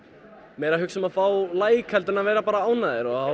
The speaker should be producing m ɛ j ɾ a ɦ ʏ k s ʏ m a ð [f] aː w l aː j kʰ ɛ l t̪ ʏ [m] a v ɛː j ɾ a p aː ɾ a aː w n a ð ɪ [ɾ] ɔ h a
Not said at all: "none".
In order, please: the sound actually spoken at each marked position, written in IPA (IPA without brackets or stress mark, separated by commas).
f, n, ɾ